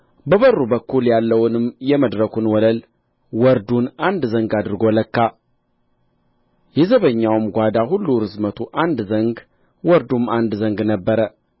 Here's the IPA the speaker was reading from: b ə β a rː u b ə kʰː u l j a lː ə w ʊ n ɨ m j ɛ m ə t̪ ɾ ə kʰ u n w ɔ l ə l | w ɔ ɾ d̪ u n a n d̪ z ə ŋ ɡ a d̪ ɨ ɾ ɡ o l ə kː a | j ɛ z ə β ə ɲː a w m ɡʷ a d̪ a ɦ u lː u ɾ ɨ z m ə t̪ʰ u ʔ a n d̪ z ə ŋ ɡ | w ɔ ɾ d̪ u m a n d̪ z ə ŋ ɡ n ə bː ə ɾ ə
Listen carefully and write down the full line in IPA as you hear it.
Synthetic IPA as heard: b ə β ə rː u b ə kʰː u l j a lː ə w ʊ n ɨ m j ɛ m ə d̪ ɾ ə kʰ u n w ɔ l ə l | w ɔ ɾ d̪ u n a n d̪ z ə ŋ ɡ a d̪ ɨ ɾ ɡ o l ə kː a | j ɛ z ə β ə ɲː a w m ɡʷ a d̪ a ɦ u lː u ɾ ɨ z m ə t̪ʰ u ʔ a n d̪ z ə ŋ ɡ | w ɔ ɾ d̪ u m a n d̪ z ə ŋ ɡ n ə bː ə ɾ ə